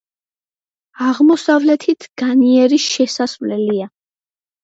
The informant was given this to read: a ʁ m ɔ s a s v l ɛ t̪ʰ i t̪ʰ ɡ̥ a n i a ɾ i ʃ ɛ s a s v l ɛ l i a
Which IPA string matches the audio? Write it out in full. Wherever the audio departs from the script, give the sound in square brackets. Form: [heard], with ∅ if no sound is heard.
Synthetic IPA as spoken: a ʁ m ɔ s a [∅] v l ɛ t̪ʰ i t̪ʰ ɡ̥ a n i [ɛ] ɾ i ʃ ɛ s a s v l ɛ l i a